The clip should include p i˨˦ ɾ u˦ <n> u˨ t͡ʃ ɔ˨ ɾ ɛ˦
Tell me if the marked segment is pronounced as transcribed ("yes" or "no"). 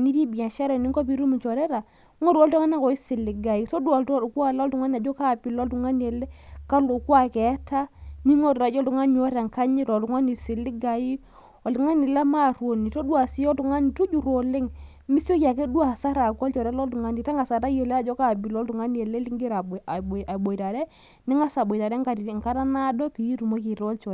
no